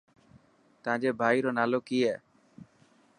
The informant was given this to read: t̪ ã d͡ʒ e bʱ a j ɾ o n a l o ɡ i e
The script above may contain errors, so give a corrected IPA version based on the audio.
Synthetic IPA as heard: t̪ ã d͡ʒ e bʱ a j ɾ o n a l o k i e